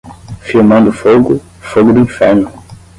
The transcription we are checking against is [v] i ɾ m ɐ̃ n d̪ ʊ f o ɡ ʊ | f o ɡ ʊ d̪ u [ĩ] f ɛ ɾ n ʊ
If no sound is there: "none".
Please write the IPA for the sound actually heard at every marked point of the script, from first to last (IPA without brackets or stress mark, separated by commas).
f, ĩ